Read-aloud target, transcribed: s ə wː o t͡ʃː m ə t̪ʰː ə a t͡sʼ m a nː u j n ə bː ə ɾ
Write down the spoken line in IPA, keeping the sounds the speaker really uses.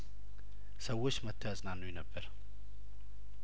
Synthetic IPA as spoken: s ə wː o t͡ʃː m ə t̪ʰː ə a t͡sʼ n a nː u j n ə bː ə ɾ